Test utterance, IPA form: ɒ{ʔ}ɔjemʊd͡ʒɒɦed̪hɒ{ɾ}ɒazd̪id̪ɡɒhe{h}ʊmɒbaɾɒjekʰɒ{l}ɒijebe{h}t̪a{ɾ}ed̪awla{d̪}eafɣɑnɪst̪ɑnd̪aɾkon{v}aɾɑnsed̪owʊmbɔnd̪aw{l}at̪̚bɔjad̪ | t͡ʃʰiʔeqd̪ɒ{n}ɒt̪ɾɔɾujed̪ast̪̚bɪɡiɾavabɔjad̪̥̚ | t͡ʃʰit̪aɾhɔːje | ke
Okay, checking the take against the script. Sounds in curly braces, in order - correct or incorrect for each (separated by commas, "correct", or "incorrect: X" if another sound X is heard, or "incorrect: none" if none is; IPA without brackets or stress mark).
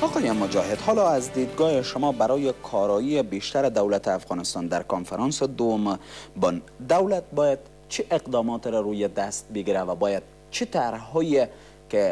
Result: incorrect: q, incorrect: l, incorrect: ʃ, incorrect: ɾ, incorrect: ʃ, correct, incorrect: t̪, incorrect: f, correct, incorrect: m